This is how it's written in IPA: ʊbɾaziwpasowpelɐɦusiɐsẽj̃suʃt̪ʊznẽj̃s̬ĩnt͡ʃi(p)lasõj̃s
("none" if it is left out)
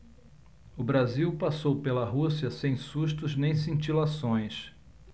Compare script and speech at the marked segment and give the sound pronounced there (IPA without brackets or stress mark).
none